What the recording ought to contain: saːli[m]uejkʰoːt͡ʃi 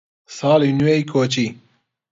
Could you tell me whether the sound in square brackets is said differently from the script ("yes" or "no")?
yes